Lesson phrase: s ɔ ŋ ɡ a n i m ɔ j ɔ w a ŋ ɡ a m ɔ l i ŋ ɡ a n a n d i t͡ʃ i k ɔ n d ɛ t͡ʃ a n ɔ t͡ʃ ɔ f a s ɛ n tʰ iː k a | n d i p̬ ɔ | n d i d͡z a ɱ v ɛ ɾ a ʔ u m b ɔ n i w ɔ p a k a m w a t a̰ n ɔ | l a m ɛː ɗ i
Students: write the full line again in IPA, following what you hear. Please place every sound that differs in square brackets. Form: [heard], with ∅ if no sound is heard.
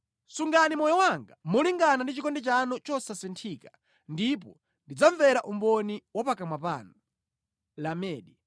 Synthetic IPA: s [u] ŋ ɡ a n i m ɔ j ɔ w a ŋ ɡ a m ɔ l i ŋ ɡ a n a n d i t͡ʃ i k ɔ n d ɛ t͡ʃ a n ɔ t͡ʃ ɔ [s] a s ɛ n tʰ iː k a | n d i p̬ ɔ | n d i d͡z a ɱ v ɛ ɾ a ʔ u m b ɔ n i w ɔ p a k a m w a [p] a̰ n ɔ | l a m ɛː ɗ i

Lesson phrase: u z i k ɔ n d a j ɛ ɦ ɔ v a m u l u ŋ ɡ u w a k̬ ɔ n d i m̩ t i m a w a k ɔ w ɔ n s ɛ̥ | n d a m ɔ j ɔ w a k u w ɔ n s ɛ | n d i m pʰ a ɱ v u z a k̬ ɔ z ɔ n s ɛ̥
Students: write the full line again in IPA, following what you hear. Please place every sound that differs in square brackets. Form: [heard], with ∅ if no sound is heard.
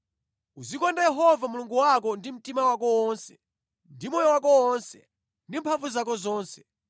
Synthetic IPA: u z i k ɔ n d a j ɛ ɦ ɔ v a m u l u ŋ ɡ u w a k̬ ɔ n d i m̩ t i m a w a k ɔ w ɔ n s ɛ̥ | n d [i] m ɔ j ɔ w a k [ɔ] w ɔ n s ɛ | n d i m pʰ a ɱ v u z a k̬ ɔ z [ɔː] n s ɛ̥

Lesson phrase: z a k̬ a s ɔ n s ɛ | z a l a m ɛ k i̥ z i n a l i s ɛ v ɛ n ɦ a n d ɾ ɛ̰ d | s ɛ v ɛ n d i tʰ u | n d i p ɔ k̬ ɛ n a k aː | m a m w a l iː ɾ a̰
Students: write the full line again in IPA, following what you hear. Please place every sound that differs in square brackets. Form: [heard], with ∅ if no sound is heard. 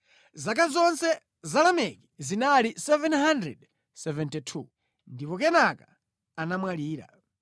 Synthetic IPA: z a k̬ a [z] ɔ n s ɛ | z a l a m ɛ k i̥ z i n a l i s ɛ v ɛ n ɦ a n d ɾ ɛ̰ d | s ɛ v ɛ n [t] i tʰ u | n d i p ɔ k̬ ɛ n a k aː | [n] a m w a l iː ɾ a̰

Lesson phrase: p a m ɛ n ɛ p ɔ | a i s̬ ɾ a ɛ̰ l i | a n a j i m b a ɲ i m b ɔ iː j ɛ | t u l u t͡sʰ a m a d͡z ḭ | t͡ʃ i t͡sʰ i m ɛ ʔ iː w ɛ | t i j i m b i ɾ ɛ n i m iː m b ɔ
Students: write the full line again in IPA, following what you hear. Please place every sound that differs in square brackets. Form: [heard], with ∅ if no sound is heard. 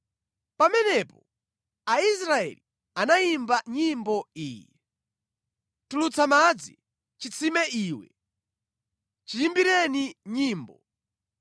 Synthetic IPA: p a m ɛ n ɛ p ɔ | a i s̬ ɾ a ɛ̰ l i | a n a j i m b a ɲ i m b ɔ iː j ɛ | t u l u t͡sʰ a m a d͡z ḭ | t͡ʃ i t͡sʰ i m ɛ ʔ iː w ɛ | [t͡ʃ] i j i m b i ɾ ɛ n i [ɲ] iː m b ɔ

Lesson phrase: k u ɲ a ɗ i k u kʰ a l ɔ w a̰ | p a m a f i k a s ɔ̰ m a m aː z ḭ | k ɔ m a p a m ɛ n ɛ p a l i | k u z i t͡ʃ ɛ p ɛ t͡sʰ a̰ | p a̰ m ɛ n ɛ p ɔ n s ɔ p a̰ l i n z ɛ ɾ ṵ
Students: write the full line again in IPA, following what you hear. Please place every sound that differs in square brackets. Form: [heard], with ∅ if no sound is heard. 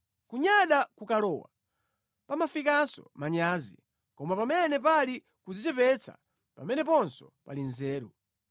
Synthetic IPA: k u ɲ a ɗ [a] k u [k] a l ɔ w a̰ | p a m a f i k a s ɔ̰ m a [ɲ] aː z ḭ | k ɔ m a p a m ɛ n ɛ p a l i | k u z i t͡ʃ ɛ p ɛ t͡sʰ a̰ | p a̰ m ɛ n ɛ p ɔ n s ɔ p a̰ l i n z [ɛː] ɾ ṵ

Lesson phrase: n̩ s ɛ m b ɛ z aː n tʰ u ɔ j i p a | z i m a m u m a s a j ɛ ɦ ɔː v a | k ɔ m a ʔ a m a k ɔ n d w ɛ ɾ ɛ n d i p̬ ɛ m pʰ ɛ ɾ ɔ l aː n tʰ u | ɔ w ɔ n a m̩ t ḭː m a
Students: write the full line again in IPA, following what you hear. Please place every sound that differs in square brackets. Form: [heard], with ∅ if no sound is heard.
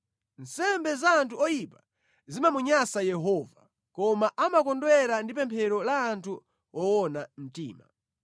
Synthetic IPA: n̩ s ɛ m b ɛ z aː n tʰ u ɔ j i p a | z i m a m u [ɲ] a s a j ɛ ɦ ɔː v a | k ɔ m a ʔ a m a k ɔ n d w ɛ ɾ [a] n d i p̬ ɛ m pʰ ɛ ɾ ɔ l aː n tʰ u | ɔ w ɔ n a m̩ t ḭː m a

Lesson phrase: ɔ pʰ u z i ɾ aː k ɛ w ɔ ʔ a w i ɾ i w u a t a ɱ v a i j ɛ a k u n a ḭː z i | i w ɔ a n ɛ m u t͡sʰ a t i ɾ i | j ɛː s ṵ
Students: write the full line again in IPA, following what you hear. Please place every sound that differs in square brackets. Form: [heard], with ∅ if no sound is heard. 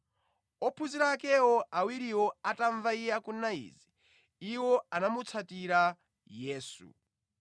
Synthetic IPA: ɔ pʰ u z i ɾ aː k ɛ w ɔ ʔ a w i ɾ i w [ɔ] a t a ɱ v a i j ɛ a k u n a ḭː z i | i w ɔ a n [a] m u t͡sʰ a t i ɾ [a] | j ɛː s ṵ

